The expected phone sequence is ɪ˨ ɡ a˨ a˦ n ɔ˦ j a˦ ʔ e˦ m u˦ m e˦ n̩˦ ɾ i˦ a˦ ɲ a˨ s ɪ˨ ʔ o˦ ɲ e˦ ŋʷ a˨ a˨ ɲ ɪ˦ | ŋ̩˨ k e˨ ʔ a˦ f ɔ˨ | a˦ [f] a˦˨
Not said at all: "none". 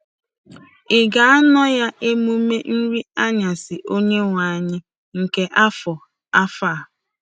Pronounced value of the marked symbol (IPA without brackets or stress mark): f